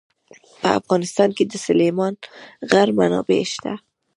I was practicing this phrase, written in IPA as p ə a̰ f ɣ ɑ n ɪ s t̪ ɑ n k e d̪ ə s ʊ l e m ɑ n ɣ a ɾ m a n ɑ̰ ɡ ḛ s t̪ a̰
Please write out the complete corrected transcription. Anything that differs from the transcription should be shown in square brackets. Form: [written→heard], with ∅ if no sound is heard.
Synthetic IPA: p ə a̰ f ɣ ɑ n ɪ s t̪ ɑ n k e d̪ ə s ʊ l e m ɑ n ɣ a ɾ m a n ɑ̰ [ɡ→b] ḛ [s→ʃ] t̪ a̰